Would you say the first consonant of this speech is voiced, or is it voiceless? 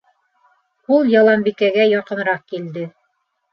voiced